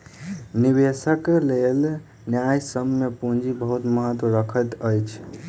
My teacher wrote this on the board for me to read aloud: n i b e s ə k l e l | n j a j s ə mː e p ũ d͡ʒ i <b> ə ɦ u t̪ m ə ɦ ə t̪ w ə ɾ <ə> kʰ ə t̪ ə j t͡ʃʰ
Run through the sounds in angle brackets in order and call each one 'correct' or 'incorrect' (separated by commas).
correct, correct